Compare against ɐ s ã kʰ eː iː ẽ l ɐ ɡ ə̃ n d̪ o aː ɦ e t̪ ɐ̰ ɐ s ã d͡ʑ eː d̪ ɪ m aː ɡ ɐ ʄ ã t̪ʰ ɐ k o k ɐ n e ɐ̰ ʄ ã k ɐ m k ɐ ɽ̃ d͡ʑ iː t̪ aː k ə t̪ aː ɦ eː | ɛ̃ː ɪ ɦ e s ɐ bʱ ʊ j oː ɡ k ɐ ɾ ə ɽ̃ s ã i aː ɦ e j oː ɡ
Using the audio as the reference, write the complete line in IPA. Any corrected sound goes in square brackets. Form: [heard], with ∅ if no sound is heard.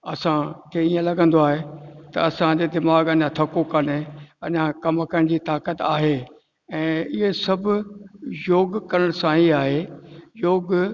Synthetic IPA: ɐ s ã kʰ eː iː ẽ l ɐ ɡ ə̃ n d̪ o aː ɦ e t̪ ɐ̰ ɐ s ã d͡ʑ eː d̪ ɪ m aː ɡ ɐ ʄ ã t̪ʰ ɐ k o k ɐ n e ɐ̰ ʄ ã k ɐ m k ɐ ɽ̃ d͡ʑ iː t̪ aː k ə t̪ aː ɦ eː | ɛ̃ː ɪ ɦ e s ɐ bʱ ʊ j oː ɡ k ɐ ɾ ə ɽ̃ s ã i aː ɦ e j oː ɡ

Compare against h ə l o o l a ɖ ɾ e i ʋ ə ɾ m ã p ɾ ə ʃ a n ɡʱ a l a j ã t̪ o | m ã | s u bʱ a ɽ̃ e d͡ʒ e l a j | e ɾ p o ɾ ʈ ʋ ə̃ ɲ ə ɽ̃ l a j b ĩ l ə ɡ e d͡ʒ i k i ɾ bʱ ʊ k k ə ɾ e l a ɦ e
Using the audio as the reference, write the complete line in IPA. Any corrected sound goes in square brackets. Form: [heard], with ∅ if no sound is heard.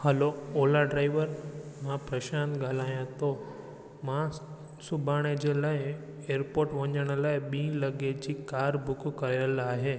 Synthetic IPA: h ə l o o l a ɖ ɾ [a] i ʋ ə ɾ m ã p ɾ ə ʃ a n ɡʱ a l a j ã t̪ o | m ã | s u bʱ a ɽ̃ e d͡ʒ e l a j | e ɾ p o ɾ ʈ ʋ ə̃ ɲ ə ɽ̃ l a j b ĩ l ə ɡ e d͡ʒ i k [a] ɾ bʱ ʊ k k ə ɾ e l a ɦ e

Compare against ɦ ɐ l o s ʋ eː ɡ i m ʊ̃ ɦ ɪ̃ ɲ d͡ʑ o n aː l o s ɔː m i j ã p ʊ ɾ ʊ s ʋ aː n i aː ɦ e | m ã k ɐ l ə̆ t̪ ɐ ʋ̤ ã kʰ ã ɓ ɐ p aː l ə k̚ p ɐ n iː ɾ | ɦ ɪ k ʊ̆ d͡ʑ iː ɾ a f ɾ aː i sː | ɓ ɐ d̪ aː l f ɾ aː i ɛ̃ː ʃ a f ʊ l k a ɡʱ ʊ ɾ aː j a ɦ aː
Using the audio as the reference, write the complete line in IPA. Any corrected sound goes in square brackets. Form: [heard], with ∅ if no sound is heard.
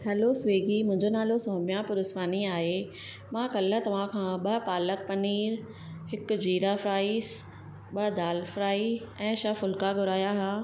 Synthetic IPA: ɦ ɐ l o s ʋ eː ɡ i m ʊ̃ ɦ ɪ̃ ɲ d͡ʑ o n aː l o s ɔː m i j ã p ʊ ɾ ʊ s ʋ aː n i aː ɦ e | m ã k ɐ l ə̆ t̪ ɐ ʋ̤ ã kʰ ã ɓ ɐ p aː l ə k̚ p ɐ n iː ɾ | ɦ ɪ k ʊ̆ d͡ʑ iː ɾ a f ɾ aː i [s] | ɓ ɐ d̪ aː l f ɾ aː i ɛ̃ː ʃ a f ʊ l k a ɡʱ ʊ ɾ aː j a ɦ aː

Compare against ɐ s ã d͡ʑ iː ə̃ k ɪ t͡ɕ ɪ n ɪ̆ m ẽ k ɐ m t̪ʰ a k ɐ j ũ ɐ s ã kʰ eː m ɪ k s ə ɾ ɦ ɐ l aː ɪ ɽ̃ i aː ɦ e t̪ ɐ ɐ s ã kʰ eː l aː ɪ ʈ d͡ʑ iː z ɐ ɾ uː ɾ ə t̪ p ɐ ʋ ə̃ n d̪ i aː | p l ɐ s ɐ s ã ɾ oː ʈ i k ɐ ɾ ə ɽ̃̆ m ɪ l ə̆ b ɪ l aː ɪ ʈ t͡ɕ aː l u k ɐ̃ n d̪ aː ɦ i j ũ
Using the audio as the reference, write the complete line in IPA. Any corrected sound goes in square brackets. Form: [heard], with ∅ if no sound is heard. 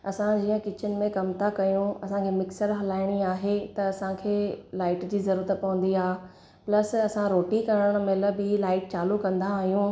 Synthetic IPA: ɐ s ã d͡ʑ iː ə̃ k ɪ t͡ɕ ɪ n ɪ̆ m ẽ k ɐ m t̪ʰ a k ɐ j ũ ɐ s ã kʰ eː m ɪ k s ə ɾ ɦ ɐ l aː ɪ ɽ̃ i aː ɦ e t̪ ɐ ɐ s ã kʰ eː l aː ɪ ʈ d͡ʑ iː z ɐ ɾ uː ɾ ə t̪ p ɐ ʋ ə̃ n d̪ i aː | p l ɐ s ɐ s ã ɾ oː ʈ i k ɐ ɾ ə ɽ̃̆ m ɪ l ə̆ b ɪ l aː ɪ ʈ t͡ɕ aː l u k ɐ̃ n d̪ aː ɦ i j ũ

